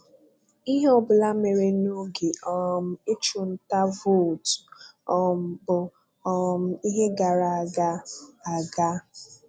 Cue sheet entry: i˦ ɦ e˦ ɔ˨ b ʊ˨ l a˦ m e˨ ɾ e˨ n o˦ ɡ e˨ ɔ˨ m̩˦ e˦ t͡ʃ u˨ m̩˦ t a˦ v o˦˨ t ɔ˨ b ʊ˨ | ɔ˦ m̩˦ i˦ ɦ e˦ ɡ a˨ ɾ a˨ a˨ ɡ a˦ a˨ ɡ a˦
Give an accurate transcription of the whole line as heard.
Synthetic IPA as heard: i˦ ɦ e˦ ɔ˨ b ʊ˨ l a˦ m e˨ ɾ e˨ n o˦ ɡ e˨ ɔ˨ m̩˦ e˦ t͡ʃ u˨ n̩˦ t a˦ v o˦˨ t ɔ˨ b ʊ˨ | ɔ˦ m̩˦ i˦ ɦ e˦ ɡ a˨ ɾ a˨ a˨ ɡ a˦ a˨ ɡ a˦